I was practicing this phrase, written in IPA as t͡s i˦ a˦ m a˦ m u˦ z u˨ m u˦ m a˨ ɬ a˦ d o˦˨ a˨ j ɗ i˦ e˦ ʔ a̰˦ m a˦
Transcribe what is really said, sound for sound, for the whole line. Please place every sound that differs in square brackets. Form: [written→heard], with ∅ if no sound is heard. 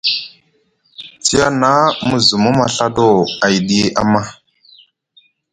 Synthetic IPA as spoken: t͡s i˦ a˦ [m→n] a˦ m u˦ z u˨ m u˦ m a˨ ɬ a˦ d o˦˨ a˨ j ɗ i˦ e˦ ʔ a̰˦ m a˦